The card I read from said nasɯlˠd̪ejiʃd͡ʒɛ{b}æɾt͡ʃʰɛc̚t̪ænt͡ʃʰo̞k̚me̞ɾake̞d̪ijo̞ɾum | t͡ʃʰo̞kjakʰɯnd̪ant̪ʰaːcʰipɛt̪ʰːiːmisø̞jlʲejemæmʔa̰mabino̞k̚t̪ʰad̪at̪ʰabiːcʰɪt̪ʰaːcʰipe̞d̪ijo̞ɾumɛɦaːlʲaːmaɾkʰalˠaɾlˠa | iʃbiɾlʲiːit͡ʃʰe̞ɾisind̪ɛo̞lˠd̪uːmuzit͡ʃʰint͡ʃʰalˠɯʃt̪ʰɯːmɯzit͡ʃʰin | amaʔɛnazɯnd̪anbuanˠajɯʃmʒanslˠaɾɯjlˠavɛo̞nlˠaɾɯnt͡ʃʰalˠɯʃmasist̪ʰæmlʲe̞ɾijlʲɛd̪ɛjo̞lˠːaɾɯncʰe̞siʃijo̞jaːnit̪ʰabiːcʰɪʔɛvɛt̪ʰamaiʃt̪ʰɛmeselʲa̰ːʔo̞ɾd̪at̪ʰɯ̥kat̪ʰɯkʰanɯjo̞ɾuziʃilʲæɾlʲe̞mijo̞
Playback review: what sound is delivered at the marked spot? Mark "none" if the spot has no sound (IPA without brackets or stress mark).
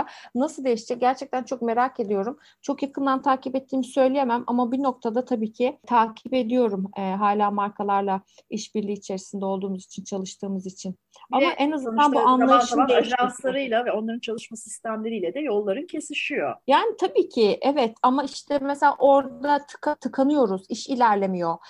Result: ɟ